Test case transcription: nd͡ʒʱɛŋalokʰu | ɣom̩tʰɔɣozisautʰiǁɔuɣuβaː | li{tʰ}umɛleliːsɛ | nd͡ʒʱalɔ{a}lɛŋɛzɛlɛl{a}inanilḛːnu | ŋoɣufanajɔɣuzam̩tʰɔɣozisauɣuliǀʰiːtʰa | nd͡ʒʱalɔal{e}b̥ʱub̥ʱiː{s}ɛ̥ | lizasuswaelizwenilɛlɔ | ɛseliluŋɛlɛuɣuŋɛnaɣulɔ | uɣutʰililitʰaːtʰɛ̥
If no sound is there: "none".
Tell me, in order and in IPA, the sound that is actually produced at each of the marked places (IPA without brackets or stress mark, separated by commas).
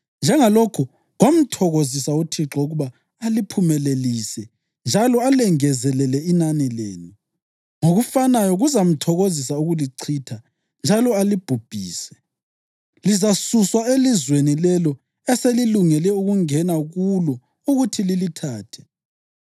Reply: pʰ, a, ɛ, i, s